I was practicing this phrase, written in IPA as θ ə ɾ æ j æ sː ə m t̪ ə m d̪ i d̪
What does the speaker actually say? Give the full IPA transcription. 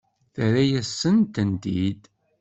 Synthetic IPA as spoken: θ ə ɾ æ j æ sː ə n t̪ ə n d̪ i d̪